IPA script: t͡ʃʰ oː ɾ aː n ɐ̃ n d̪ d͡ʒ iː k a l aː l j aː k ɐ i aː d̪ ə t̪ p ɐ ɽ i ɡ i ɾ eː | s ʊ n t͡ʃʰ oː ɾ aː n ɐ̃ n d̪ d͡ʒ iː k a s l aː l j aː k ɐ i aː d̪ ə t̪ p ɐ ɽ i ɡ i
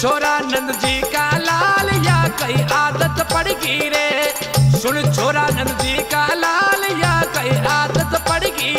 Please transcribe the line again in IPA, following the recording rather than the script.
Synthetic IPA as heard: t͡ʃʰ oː ɾ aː n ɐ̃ n d̪ d͡ʒ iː k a l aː l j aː k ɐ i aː d̪ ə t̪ p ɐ ɽ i ɡ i ɾ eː | s ʊ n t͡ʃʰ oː ɾ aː n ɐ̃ n d̪ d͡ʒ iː k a l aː l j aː k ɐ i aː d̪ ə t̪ p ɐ ɽ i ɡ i